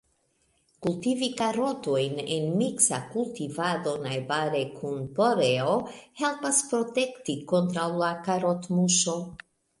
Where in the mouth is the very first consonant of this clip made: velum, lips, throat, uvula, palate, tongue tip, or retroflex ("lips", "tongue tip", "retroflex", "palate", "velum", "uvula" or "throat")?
velum